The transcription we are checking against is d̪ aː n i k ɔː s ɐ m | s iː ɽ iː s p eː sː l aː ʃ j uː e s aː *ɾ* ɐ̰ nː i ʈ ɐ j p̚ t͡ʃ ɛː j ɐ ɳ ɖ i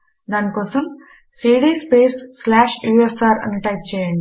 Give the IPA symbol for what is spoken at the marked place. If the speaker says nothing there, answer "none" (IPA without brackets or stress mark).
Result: ɾ